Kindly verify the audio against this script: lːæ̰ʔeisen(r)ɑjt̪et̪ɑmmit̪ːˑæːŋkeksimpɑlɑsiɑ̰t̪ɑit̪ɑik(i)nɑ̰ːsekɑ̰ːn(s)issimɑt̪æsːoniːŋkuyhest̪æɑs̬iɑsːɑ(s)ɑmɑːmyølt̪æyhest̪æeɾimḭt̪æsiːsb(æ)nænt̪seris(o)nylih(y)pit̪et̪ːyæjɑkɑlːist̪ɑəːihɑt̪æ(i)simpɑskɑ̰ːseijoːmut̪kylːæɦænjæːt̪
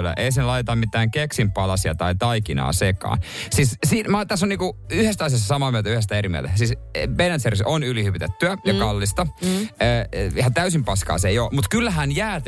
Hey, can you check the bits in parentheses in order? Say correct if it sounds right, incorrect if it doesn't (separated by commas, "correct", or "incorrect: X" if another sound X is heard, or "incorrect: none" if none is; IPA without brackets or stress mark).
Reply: incorrect: l, correct, correct, correct, incorrect: e, correct, correct, incorrect: y